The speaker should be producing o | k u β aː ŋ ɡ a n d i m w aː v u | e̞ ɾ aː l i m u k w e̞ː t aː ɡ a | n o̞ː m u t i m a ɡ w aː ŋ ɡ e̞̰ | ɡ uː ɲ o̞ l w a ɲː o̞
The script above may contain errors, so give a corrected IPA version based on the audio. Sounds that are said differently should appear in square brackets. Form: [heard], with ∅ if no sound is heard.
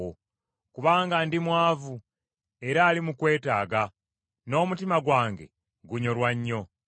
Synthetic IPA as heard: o | k u β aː ŋ ɡ a n d i m w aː v u | e̞ ɾ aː l i m u k w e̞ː t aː ɡ a | n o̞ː m u t i m a ɡ w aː ŋ ɡ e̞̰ | ɡ [u] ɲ o̞ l w a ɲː o̞